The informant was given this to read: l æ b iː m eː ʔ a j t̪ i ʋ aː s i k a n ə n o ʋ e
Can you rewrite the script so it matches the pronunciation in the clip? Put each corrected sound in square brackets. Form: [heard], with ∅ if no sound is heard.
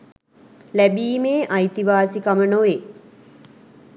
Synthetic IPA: l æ b iː m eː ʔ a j t̪ i ʋ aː s i k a [m] ə n o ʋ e